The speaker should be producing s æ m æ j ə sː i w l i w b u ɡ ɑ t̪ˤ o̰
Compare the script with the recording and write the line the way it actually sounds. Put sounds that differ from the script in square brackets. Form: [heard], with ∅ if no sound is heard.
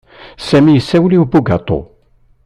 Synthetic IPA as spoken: s æ m [i] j ə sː [æ] w l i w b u ɡ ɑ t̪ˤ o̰